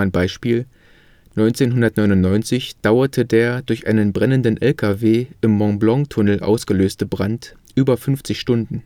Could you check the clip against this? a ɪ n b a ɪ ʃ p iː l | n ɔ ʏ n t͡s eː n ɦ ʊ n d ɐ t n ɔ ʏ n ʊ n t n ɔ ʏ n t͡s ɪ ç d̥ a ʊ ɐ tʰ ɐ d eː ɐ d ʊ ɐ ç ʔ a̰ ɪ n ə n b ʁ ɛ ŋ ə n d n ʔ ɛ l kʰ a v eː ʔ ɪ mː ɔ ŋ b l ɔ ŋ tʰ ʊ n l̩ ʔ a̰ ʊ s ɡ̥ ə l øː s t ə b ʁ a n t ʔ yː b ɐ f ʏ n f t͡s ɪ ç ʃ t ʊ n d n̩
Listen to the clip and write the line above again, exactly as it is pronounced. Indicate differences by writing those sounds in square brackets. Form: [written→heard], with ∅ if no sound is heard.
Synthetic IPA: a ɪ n b a ɪ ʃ p iː l | n ɔ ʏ n t͡s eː n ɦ ʊ n d ɐ t n ɔ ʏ n ʊ n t n ɔ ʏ n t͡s ɪ ç d̥ a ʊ ɐ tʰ [ɐ→ə] d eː ɐ d ʊ ɐ ç ʔ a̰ ɪ n ə n b ʁ ɛ [ŋ→n] ə n d n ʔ ɛ l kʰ a v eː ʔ ɪ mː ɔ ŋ b l ɔ ŋ tʰ ʊ n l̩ ʔ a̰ ʊ s ɡ̥ ə l øː s t ə b ʁ a n t ʔ yː b ɐ f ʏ n f t͡s ɪ ç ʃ t ʊ n d n̩